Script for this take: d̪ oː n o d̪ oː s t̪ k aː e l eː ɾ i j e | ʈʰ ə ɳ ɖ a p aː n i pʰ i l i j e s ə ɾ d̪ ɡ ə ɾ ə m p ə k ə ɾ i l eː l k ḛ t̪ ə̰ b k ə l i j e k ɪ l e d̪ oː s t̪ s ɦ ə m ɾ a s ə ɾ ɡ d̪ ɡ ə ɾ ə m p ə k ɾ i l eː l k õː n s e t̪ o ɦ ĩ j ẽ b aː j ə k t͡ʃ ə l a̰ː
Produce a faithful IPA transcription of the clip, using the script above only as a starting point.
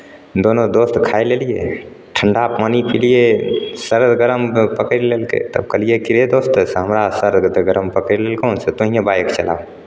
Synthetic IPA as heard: d̪ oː n o d̪ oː s t̪ kʰ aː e l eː l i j e | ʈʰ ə ɳ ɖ a p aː n i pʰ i l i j e s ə ɾ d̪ ɡ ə ɾ ə m p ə k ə ɾ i l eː l k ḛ t̪ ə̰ b k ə l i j e k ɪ ɾ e d̪ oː s t̪ s ɦ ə m ɾ a s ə ɾ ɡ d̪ ɡ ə ɾ ə m p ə k ɾ i l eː l k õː n s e t̪ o ɦ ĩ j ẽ b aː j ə k t͡ʃ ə l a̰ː